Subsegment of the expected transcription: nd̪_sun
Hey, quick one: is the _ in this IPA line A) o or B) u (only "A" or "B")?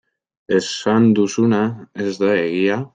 B